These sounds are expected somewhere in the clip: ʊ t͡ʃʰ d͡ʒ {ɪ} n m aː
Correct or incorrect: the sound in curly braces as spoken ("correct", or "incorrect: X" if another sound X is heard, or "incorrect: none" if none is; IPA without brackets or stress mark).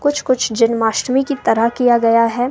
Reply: correct